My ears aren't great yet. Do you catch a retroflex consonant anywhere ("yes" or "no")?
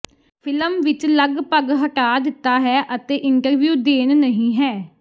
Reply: yes